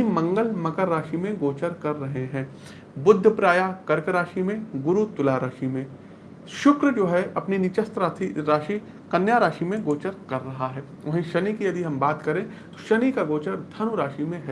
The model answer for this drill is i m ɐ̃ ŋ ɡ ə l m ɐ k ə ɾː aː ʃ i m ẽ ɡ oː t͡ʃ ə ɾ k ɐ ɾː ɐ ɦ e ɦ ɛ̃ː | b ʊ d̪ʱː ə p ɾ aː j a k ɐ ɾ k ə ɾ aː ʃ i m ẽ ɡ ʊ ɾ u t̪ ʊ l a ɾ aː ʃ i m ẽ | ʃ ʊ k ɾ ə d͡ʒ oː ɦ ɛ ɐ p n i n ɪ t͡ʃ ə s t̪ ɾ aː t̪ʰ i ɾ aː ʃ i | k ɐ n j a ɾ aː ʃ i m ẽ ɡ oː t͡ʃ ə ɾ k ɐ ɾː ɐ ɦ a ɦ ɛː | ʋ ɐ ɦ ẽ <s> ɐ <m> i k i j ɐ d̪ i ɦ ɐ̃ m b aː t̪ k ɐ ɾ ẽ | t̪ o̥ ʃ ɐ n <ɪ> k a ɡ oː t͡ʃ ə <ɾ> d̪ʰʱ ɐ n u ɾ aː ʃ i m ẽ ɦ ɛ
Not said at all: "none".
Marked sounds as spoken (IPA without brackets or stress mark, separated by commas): ʃ, n, i, ɾ